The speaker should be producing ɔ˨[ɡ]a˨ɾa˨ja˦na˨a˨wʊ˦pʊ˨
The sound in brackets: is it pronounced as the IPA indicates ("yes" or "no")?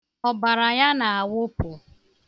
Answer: no